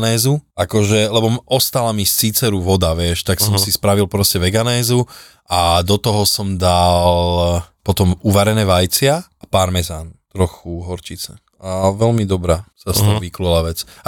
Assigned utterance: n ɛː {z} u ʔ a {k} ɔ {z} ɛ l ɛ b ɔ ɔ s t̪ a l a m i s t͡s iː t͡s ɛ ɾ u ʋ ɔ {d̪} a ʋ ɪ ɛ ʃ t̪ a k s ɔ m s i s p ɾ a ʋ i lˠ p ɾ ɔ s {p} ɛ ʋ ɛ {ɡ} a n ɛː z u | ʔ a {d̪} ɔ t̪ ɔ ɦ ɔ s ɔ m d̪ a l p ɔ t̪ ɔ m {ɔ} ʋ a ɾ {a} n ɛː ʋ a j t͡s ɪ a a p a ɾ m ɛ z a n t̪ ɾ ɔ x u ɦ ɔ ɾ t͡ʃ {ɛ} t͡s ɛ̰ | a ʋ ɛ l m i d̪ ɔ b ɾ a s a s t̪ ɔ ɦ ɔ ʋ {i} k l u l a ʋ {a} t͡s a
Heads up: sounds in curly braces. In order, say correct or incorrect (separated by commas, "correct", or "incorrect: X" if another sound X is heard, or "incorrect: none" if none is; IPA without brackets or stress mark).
correct, correct, incorrect: ʒ, correct, incorrect: c, correct, correct, incorrect: u, incorrect: ɛ, incorrect: i, correct, incorrect: ɛ